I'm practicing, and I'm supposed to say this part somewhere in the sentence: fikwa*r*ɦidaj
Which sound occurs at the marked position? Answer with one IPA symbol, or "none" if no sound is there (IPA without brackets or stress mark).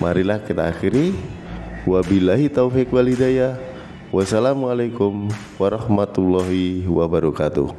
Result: l